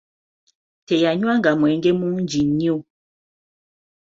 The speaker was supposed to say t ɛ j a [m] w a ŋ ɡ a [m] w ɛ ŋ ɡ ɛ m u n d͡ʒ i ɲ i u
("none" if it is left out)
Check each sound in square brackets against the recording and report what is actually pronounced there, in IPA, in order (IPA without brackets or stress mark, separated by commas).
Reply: ɲ, m